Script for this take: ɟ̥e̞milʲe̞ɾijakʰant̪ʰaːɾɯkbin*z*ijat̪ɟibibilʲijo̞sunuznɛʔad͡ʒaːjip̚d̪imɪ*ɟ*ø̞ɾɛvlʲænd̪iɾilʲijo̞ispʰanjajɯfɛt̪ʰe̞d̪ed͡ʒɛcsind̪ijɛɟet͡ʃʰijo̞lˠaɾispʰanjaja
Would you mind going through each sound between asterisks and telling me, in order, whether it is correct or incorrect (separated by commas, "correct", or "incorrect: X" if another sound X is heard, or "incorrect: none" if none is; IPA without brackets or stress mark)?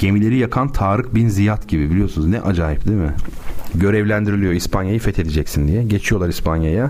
correct, correct